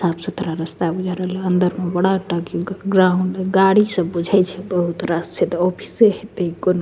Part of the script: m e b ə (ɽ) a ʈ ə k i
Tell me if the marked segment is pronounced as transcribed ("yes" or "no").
yes